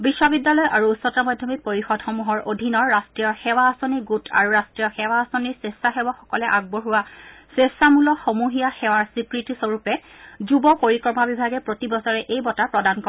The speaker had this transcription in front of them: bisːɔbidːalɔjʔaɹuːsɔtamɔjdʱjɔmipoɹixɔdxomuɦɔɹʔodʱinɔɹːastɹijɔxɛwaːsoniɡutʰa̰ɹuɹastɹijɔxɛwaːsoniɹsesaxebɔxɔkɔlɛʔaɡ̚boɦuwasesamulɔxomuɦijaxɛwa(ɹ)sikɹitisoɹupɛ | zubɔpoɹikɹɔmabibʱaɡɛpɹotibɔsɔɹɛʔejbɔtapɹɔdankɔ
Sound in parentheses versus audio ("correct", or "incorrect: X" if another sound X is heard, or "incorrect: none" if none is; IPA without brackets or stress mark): correct